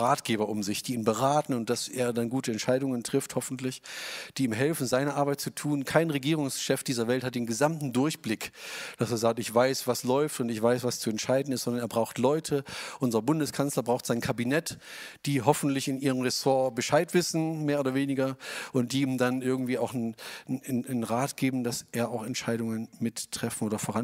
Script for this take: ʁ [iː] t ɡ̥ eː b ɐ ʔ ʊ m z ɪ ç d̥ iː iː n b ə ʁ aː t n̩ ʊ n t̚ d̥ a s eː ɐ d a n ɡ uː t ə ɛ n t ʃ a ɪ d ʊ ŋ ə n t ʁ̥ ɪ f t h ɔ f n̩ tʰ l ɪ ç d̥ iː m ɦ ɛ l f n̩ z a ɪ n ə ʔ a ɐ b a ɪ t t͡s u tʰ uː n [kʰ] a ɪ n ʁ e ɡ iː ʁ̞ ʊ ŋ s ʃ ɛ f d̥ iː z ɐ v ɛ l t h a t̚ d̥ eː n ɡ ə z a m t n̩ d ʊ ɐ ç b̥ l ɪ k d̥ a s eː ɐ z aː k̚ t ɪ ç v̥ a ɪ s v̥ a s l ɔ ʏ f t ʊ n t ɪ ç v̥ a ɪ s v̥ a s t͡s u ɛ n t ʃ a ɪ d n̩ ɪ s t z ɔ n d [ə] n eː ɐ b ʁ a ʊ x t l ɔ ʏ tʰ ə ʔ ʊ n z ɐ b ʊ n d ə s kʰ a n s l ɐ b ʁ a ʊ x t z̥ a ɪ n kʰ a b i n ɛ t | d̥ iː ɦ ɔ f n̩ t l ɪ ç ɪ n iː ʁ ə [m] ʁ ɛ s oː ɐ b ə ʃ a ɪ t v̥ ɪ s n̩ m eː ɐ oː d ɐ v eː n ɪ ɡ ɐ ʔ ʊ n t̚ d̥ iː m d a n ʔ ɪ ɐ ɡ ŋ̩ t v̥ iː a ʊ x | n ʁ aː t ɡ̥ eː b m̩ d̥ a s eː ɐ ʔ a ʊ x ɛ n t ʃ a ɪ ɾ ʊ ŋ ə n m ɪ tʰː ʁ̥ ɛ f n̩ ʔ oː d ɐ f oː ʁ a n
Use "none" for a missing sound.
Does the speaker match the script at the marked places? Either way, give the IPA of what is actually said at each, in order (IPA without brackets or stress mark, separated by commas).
aː, kʰ, ɐ, m